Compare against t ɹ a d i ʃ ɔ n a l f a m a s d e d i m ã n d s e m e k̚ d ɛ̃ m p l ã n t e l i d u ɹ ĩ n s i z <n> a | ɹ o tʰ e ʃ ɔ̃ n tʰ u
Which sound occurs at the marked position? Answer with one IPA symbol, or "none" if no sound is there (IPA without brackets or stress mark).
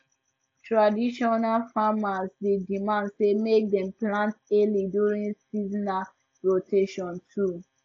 n